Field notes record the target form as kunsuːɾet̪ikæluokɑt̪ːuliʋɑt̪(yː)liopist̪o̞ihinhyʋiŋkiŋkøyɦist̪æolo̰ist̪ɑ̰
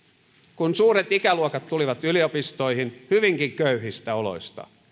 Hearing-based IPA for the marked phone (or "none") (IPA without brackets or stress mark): y